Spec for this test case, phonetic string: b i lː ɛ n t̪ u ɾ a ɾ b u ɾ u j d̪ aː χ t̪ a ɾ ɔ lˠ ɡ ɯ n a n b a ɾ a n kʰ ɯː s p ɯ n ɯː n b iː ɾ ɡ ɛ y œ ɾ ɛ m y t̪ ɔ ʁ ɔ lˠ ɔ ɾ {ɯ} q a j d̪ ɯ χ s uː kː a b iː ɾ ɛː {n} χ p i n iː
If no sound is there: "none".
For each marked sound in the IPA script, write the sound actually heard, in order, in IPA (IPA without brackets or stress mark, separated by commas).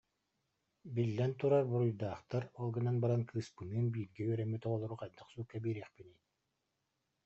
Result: u, none